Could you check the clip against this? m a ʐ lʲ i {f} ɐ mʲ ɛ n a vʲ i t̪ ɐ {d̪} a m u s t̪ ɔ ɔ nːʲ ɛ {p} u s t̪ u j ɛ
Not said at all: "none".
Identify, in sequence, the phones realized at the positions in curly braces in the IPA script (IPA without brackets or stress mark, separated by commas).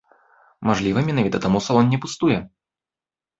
v, t̪, p